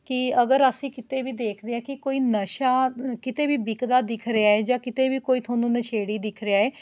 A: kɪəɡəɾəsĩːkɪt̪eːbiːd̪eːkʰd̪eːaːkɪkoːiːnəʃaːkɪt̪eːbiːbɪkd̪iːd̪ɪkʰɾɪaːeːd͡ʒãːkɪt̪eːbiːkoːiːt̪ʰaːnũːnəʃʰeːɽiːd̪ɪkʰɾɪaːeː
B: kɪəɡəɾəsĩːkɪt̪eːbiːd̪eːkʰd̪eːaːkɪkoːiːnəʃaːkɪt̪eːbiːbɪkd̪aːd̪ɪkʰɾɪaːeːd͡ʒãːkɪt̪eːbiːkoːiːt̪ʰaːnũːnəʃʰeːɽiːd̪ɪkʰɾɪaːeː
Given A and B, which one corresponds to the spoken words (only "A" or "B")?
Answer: B